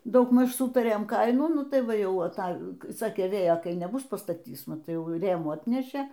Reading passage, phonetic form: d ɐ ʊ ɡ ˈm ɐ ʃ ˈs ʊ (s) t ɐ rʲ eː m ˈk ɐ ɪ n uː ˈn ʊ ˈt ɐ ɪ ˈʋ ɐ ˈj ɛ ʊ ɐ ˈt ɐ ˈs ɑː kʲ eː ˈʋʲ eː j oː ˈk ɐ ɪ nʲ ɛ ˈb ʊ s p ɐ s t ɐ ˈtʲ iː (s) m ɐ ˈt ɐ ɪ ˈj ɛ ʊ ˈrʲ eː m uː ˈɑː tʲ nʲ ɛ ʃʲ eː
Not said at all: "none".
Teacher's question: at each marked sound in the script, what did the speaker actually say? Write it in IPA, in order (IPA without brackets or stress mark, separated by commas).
none, s